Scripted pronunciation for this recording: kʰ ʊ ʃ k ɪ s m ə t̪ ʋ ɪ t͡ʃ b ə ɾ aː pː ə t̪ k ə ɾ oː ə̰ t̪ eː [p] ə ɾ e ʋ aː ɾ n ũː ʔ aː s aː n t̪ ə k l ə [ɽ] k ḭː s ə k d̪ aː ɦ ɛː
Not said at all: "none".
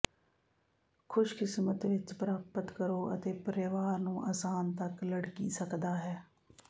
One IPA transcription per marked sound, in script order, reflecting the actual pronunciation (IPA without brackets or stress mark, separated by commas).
p, ɽ